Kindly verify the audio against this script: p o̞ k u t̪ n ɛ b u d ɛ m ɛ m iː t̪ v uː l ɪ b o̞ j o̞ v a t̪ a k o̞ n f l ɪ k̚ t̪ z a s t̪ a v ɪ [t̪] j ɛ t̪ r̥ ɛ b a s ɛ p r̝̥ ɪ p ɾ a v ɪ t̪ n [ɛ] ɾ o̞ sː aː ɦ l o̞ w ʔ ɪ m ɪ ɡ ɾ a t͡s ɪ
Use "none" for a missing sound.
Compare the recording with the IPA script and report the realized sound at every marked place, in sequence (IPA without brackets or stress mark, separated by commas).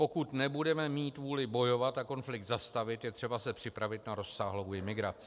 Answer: t̪, a